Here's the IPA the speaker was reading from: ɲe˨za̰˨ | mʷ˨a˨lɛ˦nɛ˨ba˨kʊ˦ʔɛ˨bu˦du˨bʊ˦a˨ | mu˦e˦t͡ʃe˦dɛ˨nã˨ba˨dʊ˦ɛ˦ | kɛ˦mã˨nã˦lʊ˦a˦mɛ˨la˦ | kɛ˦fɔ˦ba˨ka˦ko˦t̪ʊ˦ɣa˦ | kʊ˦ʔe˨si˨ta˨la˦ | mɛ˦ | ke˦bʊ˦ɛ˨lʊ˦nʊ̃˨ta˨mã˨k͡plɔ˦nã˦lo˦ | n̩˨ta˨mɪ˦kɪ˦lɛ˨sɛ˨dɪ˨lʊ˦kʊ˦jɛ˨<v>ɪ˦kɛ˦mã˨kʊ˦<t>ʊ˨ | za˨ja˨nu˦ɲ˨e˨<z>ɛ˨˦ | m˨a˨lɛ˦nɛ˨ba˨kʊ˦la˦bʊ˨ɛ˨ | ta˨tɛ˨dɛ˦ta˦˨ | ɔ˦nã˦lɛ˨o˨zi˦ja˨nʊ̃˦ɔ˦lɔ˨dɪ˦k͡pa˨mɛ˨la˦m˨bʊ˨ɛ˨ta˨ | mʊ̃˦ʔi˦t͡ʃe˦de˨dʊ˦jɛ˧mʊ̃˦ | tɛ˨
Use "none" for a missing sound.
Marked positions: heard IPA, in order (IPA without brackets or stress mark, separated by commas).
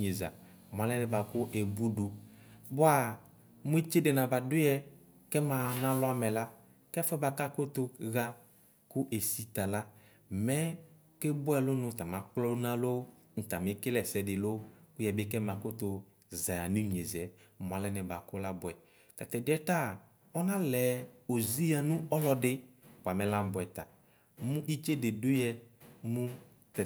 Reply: b, t, z